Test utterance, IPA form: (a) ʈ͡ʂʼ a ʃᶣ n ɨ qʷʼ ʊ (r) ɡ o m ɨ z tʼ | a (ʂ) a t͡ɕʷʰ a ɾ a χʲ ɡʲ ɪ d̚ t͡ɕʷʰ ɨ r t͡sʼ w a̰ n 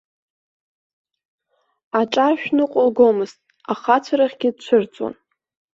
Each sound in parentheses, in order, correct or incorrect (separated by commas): correct, incorrect, incorrect